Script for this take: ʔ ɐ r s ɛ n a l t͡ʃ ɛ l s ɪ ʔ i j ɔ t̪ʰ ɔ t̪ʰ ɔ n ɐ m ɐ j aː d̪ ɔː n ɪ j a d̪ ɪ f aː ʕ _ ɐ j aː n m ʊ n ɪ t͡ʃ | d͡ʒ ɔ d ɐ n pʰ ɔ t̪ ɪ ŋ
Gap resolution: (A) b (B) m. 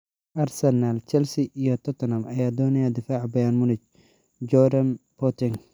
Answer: A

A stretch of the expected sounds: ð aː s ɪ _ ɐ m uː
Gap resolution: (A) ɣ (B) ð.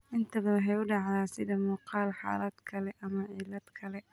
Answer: B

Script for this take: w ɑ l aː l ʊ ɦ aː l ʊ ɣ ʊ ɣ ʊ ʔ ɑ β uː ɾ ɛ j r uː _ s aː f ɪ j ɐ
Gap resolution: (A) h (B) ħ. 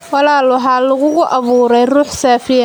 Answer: B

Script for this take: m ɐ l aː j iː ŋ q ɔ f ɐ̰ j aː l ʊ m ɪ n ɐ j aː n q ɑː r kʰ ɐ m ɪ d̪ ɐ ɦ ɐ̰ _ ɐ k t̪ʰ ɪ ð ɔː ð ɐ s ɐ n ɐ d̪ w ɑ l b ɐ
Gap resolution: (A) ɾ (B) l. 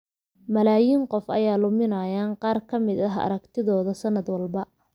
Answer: A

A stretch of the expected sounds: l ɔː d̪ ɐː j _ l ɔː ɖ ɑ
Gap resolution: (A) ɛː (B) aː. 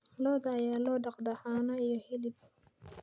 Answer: B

